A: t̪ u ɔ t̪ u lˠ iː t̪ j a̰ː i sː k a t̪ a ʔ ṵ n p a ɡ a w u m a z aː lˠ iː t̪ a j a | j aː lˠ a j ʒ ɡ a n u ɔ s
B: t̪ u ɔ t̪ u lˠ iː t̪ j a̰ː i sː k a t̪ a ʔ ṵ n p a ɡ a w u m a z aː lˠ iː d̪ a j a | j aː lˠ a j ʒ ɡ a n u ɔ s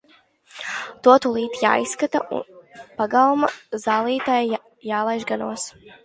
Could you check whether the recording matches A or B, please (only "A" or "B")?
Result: A